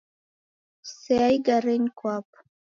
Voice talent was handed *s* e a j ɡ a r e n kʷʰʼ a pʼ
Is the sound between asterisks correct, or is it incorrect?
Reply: correct